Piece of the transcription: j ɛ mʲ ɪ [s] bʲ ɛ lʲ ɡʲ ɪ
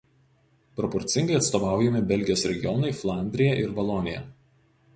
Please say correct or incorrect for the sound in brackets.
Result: incorrect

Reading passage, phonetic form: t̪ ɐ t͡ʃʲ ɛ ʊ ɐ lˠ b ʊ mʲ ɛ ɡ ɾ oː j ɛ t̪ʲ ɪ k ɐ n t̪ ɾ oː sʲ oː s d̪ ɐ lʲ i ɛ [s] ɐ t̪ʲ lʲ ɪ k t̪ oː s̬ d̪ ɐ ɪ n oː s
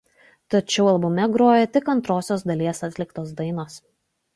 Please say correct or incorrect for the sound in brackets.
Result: correct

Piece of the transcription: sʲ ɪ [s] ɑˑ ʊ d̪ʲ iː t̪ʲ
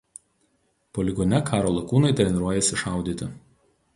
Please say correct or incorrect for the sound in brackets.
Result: incorrect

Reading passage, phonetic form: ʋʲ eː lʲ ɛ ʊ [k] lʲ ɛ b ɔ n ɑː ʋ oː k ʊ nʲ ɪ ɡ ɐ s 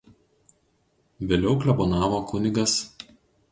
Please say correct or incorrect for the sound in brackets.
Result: correct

